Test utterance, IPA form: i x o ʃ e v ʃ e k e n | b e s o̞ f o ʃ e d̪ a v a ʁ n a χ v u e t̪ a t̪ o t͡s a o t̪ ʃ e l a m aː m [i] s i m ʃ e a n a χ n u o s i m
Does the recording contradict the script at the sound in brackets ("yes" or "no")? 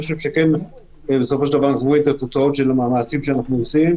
yes